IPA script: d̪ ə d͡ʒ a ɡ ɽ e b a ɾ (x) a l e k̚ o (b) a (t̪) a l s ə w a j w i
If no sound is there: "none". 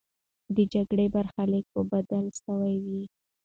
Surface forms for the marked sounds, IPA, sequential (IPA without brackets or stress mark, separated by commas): x, b, d̪